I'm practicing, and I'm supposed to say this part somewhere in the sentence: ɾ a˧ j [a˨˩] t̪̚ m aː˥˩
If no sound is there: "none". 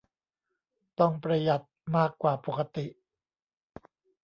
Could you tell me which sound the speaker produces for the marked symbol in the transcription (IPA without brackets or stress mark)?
a˨˩